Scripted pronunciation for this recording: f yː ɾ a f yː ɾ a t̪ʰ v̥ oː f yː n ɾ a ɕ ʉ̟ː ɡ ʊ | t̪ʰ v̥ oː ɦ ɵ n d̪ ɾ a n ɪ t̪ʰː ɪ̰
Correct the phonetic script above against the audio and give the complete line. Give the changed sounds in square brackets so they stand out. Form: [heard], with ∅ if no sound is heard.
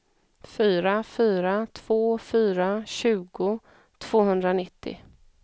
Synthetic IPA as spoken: f yː ɾ a f yː ɾ a t̪ʰ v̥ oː f yː [∅] ɾ a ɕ ʉ̟ː ɡ ʊ | t̪ʰ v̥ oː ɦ ɵ n d̪ ɾ a n ɪ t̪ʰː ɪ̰